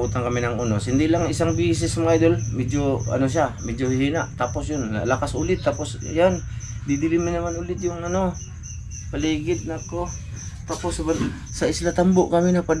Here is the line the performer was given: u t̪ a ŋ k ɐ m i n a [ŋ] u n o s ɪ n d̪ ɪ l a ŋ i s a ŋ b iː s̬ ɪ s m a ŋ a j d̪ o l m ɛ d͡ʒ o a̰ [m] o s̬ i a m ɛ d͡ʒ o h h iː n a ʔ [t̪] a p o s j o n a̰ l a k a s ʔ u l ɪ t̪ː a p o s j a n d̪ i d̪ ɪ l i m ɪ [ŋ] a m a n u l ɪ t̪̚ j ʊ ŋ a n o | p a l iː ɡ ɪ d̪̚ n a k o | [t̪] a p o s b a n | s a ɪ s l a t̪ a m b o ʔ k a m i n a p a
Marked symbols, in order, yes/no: yes, no, yes, no, yes

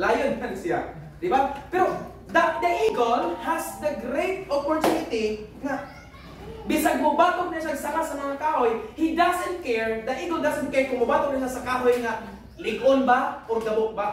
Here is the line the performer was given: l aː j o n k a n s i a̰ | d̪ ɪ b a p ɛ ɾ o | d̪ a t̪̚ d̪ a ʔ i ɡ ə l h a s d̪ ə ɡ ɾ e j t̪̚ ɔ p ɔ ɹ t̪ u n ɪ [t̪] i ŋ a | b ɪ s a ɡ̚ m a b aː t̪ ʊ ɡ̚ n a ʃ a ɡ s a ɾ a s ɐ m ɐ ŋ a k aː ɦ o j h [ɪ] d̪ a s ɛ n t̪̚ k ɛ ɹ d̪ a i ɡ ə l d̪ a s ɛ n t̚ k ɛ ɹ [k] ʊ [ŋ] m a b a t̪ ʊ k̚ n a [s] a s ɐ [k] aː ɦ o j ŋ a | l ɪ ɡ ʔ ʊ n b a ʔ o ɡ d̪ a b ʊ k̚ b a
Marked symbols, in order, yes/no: yes, no, yes, yes, no, yes

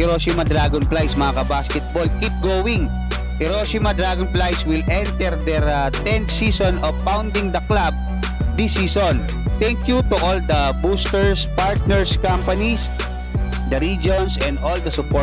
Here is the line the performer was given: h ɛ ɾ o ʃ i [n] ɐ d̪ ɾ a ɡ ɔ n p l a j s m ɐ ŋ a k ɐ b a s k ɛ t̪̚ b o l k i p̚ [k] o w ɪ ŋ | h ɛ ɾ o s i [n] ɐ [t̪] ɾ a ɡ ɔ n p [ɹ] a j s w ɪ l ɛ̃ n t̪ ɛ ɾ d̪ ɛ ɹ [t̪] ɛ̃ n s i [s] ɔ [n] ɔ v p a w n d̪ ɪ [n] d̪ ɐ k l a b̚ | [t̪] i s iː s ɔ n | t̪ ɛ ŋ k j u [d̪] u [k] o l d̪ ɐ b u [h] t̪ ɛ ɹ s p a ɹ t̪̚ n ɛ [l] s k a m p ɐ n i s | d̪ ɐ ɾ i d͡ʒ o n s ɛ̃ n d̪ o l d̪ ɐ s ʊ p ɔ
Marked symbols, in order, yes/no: no, no, no, no, no, yes, yes, yes, no, no, no, no, no, no

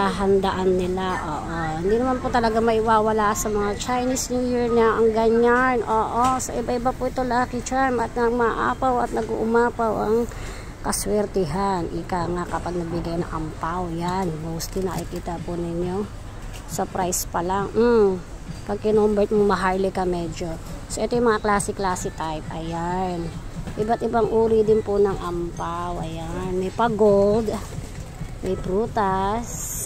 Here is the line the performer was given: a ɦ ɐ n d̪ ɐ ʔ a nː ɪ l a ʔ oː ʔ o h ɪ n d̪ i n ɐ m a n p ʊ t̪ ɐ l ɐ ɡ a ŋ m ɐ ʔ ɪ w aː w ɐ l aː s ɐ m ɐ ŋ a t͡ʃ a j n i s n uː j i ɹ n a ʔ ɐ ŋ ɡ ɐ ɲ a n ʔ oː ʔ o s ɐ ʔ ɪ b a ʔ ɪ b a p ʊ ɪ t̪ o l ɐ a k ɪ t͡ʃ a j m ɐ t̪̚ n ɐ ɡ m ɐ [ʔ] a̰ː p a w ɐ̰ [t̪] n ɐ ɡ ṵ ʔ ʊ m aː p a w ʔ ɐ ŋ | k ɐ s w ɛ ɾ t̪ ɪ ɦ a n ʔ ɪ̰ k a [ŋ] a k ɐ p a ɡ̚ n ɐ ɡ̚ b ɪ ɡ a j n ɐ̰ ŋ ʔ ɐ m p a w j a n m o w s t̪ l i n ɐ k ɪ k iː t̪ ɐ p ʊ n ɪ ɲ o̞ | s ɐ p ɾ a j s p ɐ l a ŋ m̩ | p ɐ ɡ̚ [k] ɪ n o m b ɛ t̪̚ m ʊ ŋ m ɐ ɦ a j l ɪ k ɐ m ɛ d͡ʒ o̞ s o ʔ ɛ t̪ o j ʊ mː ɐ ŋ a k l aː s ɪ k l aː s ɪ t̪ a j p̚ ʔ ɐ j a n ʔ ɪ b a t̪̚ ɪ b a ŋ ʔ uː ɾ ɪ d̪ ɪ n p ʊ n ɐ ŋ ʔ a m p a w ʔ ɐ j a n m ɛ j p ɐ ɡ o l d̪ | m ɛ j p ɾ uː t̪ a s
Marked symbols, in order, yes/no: yes, yes, yes, yes

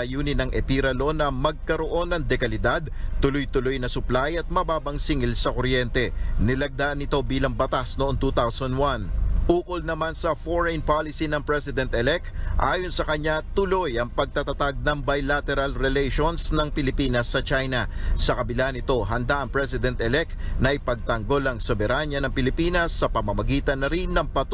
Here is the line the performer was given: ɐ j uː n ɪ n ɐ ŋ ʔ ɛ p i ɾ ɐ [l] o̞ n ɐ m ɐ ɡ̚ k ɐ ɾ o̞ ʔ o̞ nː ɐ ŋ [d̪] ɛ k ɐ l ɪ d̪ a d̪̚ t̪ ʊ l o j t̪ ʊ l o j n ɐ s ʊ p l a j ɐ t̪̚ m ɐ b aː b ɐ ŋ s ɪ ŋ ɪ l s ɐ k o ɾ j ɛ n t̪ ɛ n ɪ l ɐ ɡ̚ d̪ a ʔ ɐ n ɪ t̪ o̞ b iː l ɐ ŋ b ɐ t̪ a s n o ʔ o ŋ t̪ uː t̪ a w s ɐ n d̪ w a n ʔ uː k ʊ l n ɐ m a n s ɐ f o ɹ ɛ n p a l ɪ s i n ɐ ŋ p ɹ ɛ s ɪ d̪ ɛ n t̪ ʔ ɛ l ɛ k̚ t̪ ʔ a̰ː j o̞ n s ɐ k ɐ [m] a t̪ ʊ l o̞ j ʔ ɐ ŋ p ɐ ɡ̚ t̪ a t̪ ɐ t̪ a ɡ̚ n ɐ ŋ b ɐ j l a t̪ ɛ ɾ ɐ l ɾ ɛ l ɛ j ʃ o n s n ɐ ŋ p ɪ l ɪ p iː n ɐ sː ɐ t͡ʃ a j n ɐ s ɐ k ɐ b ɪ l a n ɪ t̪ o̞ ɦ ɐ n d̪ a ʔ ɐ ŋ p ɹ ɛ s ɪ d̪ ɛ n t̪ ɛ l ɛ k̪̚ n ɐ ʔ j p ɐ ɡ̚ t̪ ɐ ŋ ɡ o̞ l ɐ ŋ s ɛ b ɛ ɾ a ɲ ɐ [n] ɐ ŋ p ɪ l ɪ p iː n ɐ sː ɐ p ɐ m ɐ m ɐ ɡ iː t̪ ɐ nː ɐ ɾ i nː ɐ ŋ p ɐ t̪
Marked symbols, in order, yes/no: yes, yes, no, yes

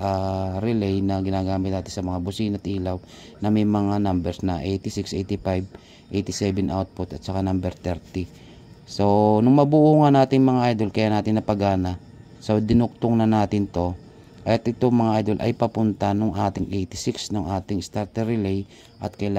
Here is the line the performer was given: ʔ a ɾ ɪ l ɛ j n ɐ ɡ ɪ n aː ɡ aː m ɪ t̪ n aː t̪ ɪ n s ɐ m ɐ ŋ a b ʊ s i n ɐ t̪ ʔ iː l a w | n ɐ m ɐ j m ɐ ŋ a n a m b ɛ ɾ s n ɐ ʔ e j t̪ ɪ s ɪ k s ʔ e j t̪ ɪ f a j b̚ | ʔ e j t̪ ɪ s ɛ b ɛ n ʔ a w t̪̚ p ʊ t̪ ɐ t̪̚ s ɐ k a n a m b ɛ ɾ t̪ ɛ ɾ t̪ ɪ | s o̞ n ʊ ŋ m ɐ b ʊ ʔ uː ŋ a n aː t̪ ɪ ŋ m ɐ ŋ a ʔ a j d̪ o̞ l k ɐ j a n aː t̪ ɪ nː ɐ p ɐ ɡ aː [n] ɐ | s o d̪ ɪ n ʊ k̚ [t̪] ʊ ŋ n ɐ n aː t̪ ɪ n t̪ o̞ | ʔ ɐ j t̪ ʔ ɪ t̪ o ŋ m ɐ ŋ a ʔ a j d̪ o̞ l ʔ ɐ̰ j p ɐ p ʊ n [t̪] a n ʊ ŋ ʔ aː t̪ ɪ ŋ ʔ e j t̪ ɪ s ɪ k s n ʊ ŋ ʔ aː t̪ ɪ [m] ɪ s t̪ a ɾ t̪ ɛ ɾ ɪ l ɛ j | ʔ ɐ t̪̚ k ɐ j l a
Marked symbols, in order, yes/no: yes, yes, yes, no

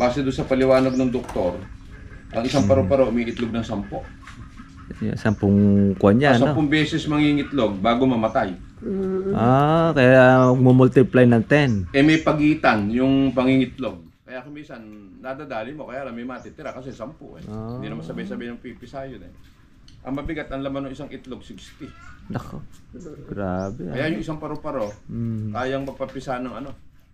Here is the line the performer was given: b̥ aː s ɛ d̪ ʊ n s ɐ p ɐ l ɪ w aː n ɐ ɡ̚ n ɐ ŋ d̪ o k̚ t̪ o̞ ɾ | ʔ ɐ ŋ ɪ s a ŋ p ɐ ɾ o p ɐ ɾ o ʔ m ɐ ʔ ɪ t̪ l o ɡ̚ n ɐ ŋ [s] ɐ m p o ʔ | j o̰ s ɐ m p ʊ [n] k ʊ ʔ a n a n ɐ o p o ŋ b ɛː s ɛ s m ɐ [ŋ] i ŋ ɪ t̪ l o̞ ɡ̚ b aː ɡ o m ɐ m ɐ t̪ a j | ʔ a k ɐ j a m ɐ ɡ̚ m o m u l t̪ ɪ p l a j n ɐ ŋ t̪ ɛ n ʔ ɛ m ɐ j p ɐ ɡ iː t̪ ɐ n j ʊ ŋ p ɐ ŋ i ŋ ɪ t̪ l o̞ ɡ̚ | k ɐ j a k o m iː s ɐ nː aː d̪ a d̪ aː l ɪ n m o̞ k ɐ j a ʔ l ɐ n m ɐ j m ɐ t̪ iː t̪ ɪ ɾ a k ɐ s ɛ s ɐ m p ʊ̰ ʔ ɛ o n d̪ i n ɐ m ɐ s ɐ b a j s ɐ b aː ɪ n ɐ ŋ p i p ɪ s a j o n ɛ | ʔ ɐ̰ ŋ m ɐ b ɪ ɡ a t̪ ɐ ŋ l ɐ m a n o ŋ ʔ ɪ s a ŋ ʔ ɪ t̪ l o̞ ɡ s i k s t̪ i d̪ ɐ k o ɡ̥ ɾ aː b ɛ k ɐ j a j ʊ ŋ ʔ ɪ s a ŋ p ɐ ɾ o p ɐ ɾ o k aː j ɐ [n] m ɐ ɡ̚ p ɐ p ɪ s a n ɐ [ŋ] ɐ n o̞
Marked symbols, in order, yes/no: yes, no, yes, no, yes

